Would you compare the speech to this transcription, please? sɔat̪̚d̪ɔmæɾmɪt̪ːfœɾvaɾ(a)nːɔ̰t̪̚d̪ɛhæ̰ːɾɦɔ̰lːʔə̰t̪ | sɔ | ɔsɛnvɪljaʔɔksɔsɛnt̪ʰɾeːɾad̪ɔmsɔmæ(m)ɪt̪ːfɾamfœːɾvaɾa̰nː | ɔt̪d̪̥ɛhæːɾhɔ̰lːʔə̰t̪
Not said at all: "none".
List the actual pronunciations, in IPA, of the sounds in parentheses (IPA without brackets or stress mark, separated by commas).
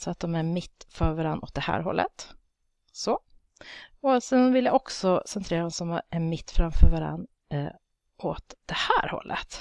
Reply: a, m